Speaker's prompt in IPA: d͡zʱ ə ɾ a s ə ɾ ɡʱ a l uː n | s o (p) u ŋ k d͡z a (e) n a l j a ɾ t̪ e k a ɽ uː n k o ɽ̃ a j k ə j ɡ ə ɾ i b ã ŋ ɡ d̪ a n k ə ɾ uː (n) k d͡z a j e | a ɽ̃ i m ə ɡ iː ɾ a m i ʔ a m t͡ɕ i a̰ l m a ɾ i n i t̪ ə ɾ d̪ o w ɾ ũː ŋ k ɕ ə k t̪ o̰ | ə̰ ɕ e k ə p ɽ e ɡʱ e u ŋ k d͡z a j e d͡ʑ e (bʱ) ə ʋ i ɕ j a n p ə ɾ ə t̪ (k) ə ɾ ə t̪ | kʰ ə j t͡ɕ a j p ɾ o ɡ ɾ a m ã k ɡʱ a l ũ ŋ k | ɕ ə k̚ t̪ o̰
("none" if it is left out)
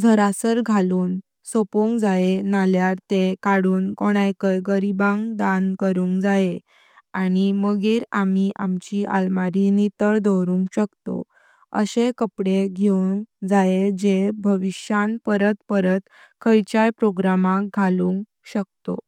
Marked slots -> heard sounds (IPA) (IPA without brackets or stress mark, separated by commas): p, e, ŋ, bʱ, p